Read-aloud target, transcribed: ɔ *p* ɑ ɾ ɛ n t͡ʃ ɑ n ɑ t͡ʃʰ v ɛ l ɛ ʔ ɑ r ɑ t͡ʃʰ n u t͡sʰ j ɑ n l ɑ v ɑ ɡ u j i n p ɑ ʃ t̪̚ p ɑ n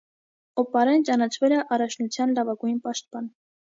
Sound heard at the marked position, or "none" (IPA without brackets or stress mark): p